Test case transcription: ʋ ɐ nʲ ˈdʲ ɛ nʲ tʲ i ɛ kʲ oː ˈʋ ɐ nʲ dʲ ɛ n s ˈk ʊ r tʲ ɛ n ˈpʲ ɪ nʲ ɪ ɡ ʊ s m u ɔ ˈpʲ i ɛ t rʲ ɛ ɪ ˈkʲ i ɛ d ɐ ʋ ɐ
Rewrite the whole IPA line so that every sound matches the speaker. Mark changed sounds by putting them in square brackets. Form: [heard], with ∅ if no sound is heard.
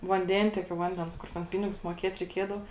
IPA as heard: ʋ ɐ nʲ ˈdʲ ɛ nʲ tʲ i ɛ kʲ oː ˈʋ ɐ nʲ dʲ ɛ n s ˈk ʊ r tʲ ɛ n ˈpʲ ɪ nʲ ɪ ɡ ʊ s m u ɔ [ˈkʲ] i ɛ t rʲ ɛ ɪ ˈkʲ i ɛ d ɐ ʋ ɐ

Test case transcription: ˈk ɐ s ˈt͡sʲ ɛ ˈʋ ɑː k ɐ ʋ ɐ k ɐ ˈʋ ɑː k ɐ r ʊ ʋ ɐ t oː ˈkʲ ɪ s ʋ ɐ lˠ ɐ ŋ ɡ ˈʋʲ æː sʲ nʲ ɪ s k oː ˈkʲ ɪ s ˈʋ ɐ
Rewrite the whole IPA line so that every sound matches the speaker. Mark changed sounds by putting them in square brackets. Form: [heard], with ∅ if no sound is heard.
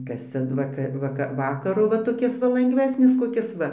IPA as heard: ˈk ɐ s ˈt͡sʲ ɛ ˈʋ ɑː k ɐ ʋ ɐ k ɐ ˈʋ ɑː k ɐ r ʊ ʋ ɐ t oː ˈkʲ ɪ s ʋ ɐ lˠ ɐ ŋ ɡ ˈʋʲ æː sʲ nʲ ɪ s k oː ˈkʲ ɪ s ˈʋ ɐ

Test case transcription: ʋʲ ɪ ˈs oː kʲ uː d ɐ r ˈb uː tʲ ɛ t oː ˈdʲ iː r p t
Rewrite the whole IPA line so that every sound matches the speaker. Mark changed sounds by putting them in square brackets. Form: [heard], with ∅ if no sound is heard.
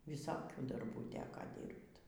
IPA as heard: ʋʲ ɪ ˈs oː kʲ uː d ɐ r ˈb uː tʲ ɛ [k] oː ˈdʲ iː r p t

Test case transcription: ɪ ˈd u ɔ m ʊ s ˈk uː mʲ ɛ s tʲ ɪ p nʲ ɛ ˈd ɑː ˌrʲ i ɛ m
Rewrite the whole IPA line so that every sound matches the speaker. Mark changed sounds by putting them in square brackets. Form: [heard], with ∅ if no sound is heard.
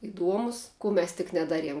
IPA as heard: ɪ ˈd u ɔ m ʊ s ˈk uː mʲ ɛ s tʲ ɪ [k] nʲ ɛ ˈd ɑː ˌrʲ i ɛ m

